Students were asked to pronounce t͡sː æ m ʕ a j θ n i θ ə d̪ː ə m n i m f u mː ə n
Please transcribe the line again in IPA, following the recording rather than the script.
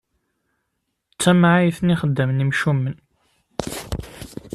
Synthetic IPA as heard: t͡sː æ m ʕ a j θ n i χ ə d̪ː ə m n i m ʃ u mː ə n